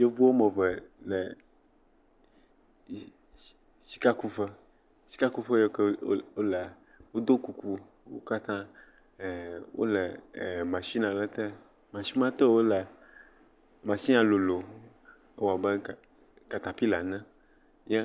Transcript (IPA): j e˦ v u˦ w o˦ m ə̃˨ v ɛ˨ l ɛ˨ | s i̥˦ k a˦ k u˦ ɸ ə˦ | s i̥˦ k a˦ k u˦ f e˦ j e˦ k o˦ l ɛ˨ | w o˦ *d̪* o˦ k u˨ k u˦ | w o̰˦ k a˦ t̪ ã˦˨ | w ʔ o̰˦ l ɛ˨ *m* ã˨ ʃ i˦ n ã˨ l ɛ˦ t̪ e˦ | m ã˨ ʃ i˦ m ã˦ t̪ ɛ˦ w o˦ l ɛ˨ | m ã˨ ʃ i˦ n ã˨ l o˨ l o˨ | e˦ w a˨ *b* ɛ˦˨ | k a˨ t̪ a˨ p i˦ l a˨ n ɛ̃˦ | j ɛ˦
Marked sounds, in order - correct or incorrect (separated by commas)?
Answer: correct, correct, correct